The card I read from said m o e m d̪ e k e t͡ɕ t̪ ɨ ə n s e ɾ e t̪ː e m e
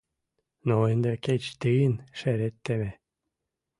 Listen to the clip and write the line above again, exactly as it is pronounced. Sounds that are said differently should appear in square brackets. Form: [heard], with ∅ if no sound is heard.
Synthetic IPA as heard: [n] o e [n] d̪ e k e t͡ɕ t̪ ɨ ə n [ʃ] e ɾ e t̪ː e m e